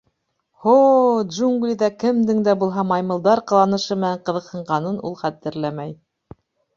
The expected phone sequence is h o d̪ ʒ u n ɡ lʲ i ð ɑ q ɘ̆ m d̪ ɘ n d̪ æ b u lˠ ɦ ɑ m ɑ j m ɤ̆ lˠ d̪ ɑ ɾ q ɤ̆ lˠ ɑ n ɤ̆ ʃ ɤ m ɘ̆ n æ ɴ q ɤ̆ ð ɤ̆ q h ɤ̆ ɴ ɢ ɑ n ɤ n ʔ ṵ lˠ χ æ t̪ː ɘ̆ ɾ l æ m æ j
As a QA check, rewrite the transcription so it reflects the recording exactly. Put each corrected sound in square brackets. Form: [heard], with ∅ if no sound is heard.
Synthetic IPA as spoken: h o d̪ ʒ u [ŋ] ɡ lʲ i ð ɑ [k] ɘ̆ m d̪ ɘ [ŋ] d̪ æ b u lˠ ɦ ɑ m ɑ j m ɤ̆ lˠ d̪ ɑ ɾ q ɤ̆ lˠ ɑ n ɤ̆ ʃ ɤ m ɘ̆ n æ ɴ q ɤ̆ ð ɤ̆ q h ɤ̆ ɴ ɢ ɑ n ɤ n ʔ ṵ lˠ χ æ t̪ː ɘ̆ ɾ l æ m æ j